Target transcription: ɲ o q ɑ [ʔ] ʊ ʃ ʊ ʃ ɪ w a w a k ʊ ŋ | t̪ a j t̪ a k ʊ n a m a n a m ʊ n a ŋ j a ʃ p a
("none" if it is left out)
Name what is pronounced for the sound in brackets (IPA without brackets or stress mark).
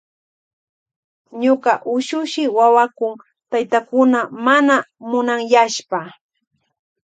ʔ